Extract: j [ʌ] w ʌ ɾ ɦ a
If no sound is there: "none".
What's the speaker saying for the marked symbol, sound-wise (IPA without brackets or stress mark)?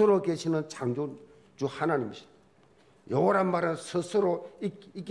ʌ